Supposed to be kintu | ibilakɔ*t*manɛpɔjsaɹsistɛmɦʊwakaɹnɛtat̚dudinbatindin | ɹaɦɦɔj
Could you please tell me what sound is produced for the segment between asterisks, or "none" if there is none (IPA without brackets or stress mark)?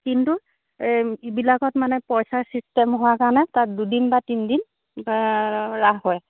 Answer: t